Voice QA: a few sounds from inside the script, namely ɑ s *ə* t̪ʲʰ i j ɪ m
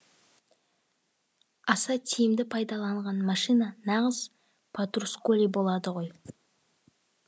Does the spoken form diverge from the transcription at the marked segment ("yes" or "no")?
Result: yes